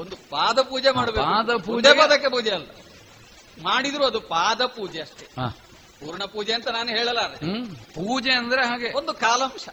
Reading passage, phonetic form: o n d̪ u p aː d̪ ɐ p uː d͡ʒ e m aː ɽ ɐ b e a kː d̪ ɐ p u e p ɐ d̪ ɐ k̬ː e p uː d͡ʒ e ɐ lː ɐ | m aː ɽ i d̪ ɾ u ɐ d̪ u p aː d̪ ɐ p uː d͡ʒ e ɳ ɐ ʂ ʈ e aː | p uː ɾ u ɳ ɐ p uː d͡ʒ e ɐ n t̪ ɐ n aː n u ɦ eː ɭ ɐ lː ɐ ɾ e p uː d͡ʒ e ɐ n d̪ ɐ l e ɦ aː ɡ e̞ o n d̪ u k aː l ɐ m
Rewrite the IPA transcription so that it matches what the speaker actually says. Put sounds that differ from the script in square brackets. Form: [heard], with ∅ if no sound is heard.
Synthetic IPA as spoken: o n d̪ u p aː d̪ ɐ p uː d͡ʒ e m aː ɽ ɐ b e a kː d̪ ɐ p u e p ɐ d̪ ɐ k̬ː e p uː d͡ʒ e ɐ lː ɐ | m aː ɽ i d̪ ɾ u ɐ d̪ u p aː d̪ ɐ p uː d͡ʒ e [∅] ɐ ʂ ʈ e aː | p uː ɾ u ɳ ɐ p uː d͡ʒ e ɐ n t̪ ɐ n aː n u ɦ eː ɭ ɐ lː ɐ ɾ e p uː d͡ʒ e ɐ n d̪ ɐ [ɾ] e ɦ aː ɡ e̞ o n d̪ u k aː l ɐ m